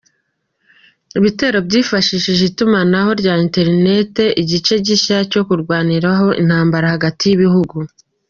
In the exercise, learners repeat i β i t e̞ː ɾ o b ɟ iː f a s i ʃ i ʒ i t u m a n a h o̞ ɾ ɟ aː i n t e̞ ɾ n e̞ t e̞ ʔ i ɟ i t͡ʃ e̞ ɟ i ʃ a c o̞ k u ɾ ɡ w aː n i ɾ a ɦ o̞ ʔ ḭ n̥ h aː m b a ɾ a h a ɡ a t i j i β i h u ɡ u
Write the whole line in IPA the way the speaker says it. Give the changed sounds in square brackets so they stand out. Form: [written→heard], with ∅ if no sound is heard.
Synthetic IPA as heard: i β i t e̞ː ɾ o b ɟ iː f a [s→ʃ] i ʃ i ʒ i t u m a n a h o̞ ɾ ɟ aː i n t e̞ ɾ n e̞ t e̞ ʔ i ɟ i t͡ʃ e̞ ɟ i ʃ a c o̞ k u ɾ ɡ w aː n i ɾ a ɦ o̞ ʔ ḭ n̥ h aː m b a ɾ a h a ɡ a t i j i β i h u ɡ u